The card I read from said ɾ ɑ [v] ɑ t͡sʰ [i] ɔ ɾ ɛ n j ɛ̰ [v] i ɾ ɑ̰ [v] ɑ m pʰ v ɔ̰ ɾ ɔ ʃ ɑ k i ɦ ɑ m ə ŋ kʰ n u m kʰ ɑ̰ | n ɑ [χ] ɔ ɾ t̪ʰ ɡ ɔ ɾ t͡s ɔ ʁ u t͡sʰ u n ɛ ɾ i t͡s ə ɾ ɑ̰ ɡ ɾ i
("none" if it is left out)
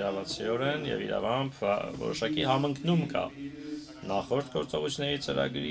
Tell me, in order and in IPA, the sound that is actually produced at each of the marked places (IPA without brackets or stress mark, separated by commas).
v, i, v, v, χ